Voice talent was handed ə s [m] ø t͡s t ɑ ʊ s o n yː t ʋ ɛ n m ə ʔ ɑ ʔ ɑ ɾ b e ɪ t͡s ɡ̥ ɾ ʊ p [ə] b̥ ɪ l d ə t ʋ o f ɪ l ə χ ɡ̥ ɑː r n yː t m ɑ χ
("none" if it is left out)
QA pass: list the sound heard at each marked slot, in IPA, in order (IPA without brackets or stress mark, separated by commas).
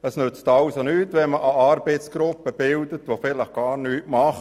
n, ə